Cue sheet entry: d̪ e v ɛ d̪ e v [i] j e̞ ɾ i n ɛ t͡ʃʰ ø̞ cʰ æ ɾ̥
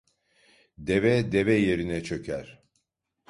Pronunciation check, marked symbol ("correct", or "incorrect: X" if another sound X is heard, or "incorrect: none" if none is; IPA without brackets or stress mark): incorrect: ɛ